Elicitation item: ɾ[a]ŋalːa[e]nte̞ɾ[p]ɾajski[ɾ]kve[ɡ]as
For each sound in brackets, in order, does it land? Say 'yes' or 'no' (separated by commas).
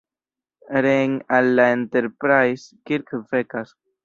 no, yes, yes, yes, no